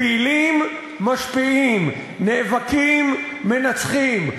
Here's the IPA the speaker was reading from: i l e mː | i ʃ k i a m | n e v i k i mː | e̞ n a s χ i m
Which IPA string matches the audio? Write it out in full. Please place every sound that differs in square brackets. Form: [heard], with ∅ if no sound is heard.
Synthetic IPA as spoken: i l [i] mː | [a] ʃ [p] i [i] m | n e v [a] k i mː | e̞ n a [t͡s] χ i m